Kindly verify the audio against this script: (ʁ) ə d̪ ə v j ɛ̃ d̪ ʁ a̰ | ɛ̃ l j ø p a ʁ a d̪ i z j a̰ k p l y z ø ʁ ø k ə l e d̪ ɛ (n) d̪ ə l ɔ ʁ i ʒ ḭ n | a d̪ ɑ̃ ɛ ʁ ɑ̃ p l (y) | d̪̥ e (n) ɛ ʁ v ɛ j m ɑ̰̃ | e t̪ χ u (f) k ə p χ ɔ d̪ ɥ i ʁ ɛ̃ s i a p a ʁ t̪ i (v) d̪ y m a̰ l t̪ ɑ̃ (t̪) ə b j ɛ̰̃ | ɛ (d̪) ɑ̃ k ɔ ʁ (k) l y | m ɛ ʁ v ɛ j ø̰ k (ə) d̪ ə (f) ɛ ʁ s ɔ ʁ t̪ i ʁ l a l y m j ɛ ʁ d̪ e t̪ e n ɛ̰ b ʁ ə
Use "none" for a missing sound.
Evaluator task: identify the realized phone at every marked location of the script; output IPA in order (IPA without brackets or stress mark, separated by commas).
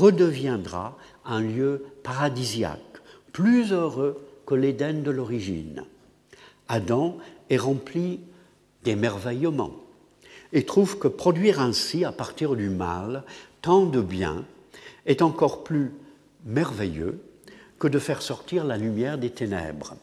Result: ʁ, n, i, m, v, ʁ, d̪, t̪, p, ə, f